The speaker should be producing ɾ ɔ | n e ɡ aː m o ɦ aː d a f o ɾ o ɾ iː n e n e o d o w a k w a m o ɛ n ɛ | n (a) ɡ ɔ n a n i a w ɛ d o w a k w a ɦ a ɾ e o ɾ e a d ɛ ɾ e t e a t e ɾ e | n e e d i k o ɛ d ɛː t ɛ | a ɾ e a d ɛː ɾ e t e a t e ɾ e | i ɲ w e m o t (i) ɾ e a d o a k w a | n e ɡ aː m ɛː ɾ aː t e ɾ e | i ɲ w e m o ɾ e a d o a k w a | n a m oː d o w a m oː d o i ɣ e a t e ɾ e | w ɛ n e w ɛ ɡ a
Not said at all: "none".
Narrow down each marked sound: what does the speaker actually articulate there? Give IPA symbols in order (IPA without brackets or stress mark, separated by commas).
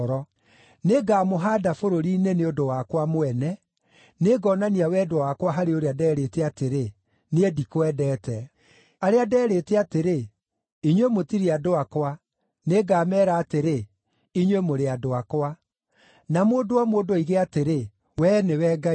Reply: e, i